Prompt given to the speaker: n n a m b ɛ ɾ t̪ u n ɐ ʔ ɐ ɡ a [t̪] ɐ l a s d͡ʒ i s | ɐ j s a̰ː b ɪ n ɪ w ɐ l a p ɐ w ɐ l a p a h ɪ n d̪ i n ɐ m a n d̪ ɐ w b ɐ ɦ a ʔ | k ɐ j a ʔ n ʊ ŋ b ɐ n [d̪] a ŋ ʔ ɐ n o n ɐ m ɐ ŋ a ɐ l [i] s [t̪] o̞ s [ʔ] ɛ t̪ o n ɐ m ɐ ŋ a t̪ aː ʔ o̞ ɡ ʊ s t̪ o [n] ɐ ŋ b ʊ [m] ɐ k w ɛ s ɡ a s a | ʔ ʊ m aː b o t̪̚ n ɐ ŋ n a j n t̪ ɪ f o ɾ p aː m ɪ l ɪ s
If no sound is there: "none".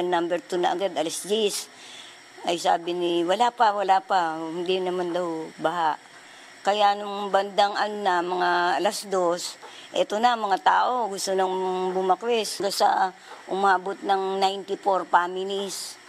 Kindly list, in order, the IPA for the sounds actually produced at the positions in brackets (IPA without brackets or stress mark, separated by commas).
d̪, d̪, a, d̪, ʔ, n, m